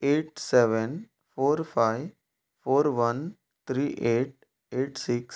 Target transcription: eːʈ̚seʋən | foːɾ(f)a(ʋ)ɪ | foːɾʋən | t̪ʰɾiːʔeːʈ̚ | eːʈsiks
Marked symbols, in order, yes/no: yes, no

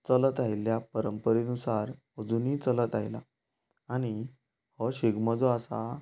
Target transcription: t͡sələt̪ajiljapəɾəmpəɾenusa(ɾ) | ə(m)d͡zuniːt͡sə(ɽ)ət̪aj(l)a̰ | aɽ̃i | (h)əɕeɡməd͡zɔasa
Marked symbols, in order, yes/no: yes, no, no, yes, yes

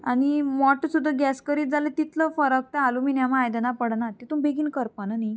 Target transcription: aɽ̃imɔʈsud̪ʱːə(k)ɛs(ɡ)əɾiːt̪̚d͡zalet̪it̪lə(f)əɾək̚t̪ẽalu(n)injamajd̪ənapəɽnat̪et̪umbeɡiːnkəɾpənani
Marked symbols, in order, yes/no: no, no, yes, no

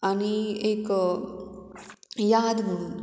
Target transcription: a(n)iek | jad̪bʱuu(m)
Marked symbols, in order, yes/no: yes, no

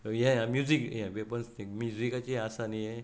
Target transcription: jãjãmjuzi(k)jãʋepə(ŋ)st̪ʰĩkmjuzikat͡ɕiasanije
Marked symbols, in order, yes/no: yes, no

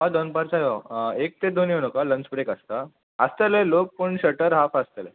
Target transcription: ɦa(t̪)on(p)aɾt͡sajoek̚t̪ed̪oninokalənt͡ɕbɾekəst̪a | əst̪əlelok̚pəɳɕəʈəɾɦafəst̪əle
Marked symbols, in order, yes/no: no, yes

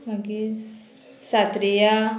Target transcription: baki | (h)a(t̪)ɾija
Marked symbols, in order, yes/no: no, yes

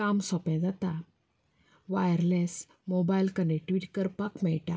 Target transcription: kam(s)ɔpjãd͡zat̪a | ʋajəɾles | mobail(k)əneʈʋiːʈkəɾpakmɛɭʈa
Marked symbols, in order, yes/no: yes, yes

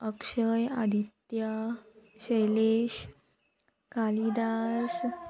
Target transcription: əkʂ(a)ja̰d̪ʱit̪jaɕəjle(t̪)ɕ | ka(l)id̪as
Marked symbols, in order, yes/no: no, no, yes

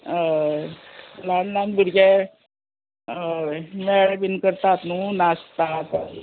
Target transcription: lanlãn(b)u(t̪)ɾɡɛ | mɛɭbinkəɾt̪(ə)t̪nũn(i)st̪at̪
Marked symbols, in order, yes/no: yes, no, no, no

